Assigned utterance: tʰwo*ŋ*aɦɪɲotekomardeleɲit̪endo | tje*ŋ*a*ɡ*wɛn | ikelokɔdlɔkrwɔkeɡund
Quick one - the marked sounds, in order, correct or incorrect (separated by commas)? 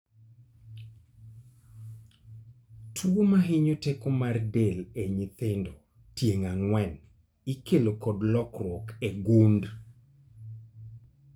incorrect, correct, incorrect